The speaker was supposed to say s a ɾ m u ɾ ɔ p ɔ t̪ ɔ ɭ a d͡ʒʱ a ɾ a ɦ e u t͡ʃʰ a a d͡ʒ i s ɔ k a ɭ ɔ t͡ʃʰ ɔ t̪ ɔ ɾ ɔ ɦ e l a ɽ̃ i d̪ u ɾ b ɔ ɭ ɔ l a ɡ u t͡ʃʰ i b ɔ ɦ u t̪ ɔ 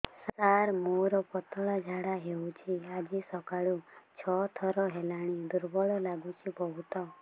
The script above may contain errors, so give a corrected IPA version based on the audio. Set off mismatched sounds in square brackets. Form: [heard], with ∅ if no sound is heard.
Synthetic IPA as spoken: s a ɾ m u ɾ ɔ p ɔ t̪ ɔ ɭ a d͡ʒʱ a [ɽ] a ɦ e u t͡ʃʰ [i] a d͡ʒ i s ɔ k a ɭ [u] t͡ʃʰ ɔ [t̪ʰ] ɔ ɾ ɔ ɦ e l a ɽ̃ i d̪ u ɾ b ɔ ɭ ɔ l a ɡ u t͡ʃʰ i b ɔ ɦ u t̪ ɔ